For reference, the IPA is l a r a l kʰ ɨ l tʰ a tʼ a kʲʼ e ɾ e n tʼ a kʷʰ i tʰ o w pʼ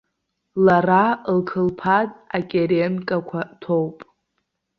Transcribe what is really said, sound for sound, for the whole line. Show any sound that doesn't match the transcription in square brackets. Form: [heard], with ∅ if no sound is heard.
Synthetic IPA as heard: l a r a l kʰ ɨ l [pʰ] a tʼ a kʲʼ e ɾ e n [kʼ] a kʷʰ [a] tʰ o w pʼ